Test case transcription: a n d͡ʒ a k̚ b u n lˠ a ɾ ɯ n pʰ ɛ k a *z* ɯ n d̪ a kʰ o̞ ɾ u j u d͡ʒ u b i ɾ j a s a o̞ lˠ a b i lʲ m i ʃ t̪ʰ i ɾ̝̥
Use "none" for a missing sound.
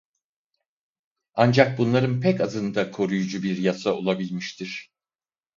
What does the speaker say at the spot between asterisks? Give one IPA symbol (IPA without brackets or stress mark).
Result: z